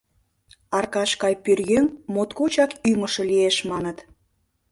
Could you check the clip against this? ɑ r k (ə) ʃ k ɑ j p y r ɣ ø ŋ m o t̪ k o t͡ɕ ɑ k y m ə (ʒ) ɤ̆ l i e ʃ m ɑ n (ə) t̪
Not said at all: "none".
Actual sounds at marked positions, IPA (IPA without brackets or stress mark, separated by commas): ɑ, ʃ, ə